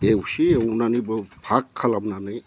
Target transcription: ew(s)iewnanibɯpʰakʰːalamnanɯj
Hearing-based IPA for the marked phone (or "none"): s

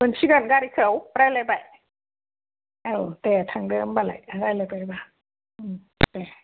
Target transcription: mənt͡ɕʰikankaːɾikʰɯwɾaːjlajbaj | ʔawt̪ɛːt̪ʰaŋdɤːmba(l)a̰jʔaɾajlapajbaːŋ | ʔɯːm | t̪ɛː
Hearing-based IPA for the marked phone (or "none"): l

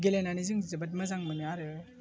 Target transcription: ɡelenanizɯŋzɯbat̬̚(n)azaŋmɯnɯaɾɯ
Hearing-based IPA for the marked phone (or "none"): m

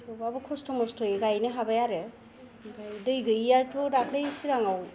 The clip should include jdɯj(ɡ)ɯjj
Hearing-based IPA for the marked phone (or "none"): ɡ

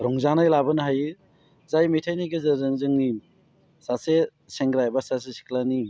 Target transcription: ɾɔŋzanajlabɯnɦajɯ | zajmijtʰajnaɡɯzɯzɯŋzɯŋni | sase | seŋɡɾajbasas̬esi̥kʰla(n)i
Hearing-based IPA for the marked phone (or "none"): n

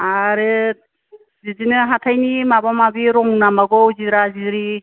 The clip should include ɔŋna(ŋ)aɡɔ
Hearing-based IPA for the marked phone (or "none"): m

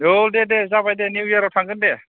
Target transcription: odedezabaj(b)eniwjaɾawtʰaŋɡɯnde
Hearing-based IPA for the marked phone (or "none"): d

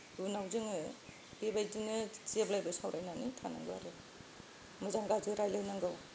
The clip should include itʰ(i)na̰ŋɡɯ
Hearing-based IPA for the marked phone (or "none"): a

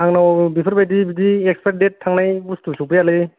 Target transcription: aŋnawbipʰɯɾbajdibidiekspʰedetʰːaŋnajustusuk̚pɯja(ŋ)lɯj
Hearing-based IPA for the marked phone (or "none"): none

